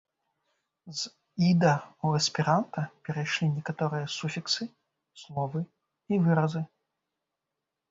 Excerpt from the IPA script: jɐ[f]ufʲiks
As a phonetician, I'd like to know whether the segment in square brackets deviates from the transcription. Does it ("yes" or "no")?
yes